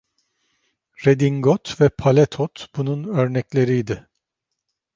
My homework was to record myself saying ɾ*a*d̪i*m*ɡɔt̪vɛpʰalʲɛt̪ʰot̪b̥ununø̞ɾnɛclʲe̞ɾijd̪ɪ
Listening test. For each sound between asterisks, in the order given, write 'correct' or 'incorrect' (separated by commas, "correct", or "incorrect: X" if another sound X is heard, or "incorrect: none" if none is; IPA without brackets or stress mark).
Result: incorrect: e, incorrect: ŋ